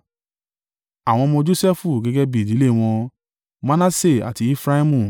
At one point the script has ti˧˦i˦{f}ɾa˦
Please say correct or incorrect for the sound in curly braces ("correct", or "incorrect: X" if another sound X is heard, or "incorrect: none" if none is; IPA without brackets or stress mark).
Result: correct